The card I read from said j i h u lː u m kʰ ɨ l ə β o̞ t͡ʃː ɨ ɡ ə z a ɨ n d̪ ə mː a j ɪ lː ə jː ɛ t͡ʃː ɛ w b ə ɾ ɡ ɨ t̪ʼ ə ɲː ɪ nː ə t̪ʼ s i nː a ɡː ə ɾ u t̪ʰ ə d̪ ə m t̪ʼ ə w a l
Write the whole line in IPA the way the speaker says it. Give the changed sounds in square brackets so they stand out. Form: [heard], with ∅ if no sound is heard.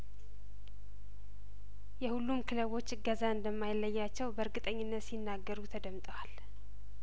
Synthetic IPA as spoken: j [ɛ] h u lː u m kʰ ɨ l ə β o̞ t͡ʃː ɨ ɡ ə z a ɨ n d̪ ə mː a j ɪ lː ə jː [a] t͡ʃː ɛ w b ə ɾ ɡ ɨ t̪ʼ ə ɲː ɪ nː ə [t̪] s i nː a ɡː ə ɾ u t̪ʰ ə d̪ ə m t̪ʼ ə w a l